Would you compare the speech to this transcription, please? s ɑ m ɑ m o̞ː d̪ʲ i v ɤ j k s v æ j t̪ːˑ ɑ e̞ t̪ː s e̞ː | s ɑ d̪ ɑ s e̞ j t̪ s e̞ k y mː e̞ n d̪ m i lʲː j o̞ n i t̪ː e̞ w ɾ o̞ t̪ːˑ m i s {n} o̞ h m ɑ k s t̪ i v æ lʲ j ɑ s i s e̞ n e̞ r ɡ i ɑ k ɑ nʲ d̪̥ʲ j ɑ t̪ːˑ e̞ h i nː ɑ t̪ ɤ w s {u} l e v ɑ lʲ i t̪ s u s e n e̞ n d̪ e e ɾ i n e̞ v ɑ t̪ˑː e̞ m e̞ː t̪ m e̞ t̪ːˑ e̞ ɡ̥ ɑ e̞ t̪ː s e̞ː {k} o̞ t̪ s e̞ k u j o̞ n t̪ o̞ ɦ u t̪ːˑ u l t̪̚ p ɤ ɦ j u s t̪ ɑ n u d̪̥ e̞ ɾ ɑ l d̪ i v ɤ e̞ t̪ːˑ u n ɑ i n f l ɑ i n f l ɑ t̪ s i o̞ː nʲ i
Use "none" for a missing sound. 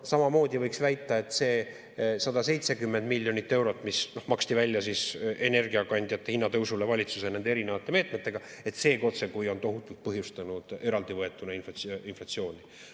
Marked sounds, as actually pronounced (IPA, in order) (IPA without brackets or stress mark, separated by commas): n, u, k